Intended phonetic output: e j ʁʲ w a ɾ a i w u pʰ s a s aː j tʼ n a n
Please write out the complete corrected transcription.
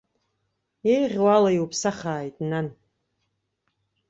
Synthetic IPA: e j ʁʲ w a l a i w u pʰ s a χ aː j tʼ n a n